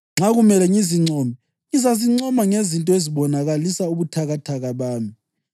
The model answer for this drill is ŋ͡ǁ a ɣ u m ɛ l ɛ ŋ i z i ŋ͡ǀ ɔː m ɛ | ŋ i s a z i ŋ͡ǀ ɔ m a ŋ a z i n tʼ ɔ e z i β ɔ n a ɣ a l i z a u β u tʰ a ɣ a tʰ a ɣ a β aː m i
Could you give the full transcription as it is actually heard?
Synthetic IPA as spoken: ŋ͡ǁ a ɣ u m ɛ l ɛ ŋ i z i ŋ͡ǀ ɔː m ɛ | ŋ i z a z i ŋ͡ǀ ɔ m a ŋ e z i n tʼ ɔ e z i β ɔ n a ɣ a l i s a u β u tʰ a ɣ a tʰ a ɣ a β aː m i